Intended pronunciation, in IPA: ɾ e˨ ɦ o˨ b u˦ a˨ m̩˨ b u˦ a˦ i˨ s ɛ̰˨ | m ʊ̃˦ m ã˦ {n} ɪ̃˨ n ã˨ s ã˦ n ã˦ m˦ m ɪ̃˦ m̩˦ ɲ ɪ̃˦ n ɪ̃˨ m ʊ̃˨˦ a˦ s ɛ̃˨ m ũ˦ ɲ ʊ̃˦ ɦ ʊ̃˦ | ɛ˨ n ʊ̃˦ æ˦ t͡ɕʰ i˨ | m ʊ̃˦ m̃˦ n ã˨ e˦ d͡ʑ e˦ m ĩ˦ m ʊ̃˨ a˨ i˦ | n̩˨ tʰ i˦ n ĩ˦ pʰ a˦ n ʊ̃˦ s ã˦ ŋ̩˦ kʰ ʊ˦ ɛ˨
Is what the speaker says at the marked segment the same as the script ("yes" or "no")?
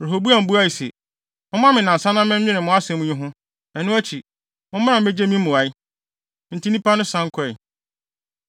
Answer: no